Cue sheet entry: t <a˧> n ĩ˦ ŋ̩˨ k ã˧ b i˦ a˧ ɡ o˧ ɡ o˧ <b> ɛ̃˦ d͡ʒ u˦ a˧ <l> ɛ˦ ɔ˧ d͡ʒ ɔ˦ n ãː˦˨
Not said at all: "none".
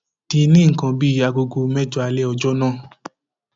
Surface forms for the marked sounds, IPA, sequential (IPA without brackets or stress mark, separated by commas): i˧, m, l